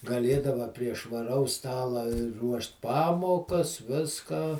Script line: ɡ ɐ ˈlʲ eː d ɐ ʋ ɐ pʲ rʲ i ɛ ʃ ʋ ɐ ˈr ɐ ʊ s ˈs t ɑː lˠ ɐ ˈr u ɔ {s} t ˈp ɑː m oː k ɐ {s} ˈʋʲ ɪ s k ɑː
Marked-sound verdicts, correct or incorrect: incorrect, correct

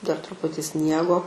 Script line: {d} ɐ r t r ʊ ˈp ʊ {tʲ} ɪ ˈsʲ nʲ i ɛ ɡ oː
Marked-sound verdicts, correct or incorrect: correct, correct

